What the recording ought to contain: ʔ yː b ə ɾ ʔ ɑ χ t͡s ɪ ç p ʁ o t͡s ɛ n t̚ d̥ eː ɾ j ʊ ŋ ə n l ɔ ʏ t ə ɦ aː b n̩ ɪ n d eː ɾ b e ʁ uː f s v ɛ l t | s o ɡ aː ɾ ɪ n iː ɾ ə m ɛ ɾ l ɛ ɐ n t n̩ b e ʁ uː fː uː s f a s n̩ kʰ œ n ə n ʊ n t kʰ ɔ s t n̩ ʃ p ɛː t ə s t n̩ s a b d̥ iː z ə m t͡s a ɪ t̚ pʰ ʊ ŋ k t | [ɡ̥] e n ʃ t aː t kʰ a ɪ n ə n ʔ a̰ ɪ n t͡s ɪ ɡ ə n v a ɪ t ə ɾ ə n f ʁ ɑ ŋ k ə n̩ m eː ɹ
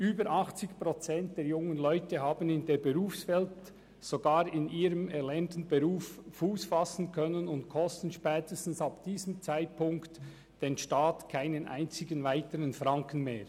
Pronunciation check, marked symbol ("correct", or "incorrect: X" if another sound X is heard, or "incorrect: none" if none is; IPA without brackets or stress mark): incorrect: d̥